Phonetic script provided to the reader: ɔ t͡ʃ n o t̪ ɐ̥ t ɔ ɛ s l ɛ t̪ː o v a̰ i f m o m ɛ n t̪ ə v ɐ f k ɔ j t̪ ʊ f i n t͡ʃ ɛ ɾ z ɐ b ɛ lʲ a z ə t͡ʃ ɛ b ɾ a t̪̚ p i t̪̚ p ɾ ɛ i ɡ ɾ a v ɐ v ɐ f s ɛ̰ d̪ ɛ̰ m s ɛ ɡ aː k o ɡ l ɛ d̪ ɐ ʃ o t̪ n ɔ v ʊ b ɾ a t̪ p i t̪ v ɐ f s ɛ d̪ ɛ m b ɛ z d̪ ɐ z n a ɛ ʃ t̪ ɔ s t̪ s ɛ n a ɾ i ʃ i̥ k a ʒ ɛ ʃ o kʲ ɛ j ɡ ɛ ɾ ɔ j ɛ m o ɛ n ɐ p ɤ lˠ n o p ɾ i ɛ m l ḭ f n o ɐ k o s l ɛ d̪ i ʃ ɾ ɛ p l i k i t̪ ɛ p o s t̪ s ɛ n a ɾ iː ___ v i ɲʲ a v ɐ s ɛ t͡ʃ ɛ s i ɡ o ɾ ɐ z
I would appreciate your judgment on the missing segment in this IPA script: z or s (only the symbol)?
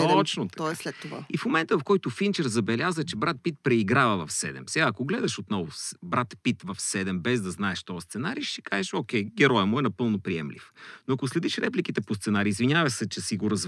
z